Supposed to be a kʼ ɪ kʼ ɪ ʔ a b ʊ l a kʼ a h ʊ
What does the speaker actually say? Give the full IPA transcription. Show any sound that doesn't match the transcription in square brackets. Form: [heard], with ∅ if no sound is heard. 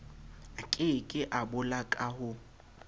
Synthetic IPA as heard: a kʼ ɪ kʼ ɪ ʔ a b ʊ l a kʼ a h ʊ